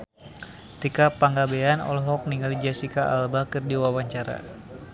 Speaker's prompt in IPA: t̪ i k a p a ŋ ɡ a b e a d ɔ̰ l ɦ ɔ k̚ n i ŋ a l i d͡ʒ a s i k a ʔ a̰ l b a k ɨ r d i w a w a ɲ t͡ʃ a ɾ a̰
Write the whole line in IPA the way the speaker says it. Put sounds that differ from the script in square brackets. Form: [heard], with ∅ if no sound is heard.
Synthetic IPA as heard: t̪ i k a p a ŋ ɡ a b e a [n] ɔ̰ l ɦ ɔ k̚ n i ŋ a l i d͡ʒ a s i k a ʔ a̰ l b a k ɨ r d i w a w a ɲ t͡ʃ a ɾ a̰